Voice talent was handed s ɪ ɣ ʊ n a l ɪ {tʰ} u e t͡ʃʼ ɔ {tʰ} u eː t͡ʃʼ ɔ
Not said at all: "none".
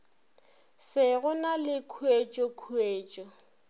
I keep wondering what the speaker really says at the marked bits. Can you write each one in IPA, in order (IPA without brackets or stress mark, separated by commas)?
kʰ, kʰ